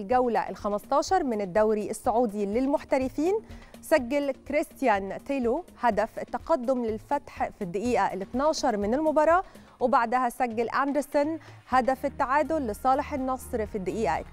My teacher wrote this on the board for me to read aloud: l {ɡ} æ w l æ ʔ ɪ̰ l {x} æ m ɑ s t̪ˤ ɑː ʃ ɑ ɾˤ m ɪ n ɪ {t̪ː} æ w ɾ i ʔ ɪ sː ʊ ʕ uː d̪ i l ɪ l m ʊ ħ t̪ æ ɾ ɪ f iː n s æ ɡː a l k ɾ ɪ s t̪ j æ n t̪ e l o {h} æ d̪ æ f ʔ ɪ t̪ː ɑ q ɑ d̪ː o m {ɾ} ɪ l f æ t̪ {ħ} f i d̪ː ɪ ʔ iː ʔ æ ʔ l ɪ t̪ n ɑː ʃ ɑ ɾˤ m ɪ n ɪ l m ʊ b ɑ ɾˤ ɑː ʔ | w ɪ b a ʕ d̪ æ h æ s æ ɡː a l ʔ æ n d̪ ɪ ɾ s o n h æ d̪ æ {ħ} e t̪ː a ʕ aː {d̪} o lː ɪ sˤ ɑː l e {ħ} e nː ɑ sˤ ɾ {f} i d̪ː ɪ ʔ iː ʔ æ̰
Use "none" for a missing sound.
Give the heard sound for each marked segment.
ɡ, x, d̪ː, h, l, ħ, f, d̪, ħ, f

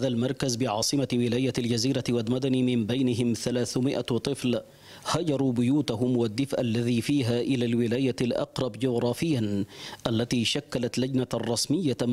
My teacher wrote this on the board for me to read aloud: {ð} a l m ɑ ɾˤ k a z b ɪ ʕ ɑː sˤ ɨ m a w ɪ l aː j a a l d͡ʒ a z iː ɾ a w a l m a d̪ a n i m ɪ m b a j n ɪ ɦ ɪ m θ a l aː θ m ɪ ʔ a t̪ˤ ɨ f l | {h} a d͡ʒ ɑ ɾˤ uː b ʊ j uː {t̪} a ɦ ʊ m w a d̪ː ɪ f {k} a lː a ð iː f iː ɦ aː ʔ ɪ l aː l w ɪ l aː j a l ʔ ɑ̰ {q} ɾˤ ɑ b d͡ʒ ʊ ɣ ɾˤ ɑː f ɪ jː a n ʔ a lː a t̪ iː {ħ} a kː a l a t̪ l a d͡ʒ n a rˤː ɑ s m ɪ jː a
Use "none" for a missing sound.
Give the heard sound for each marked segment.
ð, h, t̪, ʔ, q, ʃ

